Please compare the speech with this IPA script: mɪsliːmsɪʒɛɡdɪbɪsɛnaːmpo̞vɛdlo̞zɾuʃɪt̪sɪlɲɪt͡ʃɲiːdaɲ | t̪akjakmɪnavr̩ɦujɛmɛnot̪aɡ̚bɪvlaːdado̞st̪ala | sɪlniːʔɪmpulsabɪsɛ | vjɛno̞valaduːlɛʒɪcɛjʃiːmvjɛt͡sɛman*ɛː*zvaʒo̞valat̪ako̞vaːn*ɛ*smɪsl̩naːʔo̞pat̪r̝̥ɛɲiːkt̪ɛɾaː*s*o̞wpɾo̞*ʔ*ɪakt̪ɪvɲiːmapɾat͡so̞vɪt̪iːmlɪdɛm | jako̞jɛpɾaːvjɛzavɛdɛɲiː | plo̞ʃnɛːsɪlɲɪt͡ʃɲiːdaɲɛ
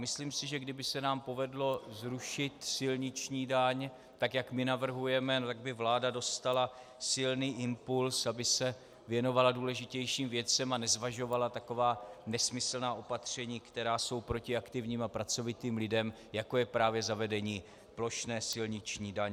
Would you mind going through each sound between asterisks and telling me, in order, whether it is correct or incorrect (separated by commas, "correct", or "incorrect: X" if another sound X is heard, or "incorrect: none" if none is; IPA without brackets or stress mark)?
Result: incorrect: ɛ, correct, correct, incorrect: c